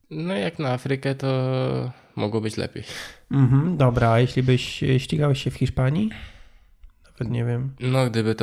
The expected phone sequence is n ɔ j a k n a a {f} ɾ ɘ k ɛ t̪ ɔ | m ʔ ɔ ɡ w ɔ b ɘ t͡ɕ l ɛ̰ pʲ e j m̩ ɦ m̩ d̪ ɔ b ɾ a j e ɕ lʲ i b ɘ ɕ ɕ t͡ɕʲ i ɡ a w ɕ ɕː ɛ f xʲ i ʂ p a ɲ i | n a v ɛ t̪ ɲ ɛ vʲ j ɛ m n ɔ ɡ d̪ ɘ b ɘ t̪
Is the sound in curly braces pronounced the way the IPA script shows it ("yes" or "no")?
yes